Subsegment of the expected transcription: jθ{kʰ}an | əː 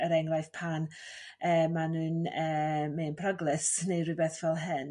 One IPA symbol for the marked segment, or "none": pʰ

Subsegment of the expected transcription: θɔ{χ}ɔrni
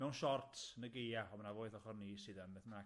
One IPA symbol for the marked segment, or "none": χ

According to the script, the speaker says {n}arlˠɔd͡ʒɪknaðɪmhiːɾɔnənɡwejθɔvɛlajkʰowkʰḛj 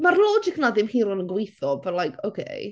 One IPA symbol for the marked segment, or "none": m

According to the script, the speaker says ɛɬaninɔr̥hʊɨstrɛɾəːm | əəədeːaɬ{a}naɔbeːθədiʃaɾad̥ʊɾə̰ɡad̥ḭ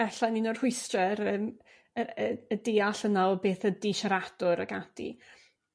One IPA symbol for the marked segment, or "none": ə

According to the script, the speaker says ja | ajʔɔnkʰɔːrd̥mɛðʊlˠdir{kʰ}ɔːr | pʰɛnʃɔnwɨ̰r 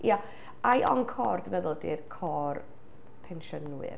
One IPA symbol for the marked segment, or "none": kʰ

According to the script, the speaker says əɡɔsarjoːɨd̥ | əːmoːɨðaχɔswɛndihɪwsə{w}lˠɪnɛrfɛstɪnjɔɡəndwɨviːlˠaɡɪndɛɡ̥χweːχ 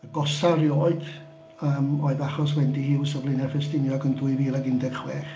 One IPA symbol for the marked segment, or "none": v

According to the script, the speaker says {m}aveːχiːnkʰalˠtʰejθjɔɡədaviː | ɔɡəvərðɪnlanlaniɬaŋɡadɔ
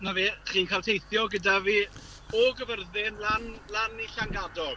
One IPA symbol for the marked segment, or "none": n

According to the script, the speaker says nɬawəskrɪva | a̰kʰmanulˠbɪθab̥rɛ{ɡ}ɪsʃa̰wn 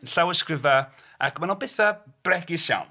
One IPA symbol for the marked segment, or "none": ɡ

